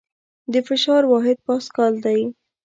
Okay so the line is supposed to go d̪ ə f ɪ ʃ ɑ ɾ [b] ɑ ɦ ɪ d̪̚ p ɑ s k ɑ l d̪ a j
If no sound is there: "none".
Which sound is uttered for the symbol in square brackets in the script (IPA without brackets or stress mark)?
w